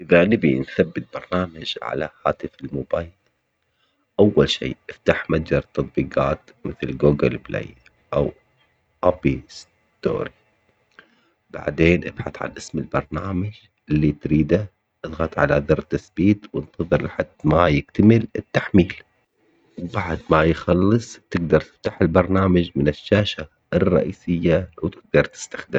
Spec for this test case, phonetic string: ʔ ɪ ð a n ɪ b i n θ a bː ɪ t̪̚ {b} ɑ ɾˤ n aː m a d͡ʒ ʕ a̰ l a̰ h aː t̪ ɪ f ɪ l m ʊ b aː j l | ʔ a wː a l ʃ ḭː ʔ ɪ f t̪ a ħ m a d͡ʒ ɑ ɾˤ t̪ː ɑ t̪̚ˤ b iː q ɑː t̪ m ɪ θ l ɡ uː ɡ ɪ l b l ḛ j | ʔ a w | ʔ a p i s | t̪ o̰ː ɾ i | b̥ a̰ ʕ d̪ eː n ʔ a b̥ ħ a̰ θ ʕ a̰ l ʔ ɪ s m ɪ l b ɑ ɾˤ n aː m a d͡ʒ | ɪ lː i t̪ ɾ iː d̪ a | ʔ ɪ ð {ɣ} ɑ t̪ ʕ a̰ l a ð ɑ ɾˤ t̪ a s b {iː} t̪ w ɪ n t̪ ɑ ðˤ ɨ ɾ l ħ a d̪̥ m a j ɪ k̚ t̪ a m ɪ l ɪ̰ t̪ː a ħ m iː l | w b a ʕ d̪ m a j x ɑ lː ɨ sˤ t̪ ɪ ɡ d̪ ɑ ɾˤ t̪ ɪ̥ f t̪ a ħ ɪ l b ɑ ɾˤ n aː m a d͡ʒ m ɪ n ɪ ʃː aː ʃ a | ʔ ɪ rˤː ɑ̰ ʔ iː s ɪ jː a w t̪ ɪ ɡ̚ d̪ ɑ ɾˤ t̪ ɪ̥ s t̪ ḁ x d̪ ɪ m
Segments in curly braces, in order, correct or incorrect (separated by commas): correct, correct, correct